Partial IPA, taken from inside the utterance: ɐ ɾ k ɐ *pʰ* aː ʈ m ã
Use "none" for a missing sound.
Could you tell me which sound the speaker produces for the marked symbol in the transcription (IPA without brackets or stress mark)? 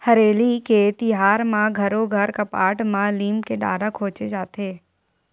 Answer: p